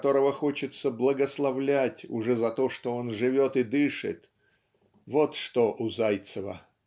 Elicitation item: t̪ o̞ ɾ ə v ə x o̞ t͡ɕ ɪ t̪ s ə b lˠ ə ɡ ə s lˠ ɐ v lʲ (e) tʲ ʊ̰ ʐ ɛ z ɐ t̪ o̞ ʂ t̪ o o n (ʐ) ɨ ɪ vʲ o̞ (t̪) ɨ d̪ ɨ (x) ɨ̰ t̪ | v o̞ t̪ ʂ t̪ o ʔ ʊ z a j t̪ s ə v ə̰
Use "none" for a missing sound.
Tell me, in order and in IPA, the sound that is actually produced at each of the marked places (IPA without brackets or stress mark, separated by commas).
æ, ʐ, t̪, ʂ